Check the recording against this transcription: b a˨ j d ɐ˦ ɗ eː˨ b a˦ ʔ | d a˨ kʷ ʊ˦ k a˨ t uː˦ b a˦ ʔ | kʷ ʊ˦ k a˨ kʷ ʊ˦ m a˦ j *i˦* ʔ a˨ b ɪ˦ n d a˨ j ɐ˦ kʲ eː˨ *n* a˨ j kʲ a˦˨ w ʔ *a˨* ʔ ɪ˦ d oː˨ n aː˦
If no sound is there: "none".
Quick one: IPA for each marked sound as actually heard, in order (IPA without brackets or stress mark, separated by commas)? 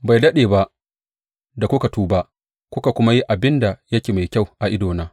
i˦, m, a˨